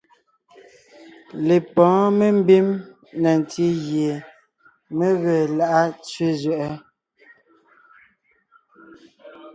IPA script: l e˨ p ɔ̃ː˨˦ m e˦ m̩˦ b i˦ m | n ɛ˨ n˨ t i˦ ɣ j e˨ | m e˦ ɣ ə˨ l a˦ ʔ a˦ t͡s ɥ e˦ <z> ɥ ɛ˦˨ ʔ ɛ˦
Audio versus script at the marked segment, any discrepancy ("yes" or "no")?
no